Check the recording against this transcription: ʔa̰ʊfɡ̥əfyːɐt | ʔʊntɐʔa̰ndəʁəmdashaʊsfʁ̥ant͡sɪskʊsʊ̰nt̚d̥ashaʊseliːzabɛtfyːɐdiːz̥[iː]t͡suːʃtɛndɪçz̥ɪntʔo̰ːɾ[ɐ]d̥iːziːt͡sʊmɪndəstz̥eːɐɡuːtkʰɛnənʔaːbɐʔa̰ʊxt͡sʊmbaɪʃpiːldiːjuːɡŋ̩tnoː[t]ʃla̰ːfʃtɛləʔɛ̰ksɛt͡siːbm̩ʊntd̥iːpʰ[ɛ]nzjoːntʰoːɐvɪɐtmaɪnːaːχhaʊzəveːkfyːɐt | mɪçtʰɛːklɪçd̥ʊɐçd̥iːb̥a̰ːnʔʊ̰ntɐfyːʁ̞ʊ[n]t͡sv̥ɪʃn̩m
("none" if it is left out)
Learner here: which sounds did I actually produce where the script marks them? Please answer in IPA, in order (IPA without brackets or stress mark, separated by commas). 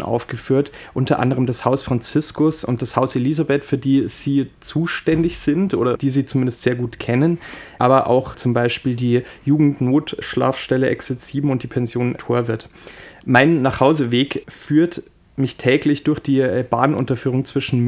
iː, ɐ, t, ɛ, ŋ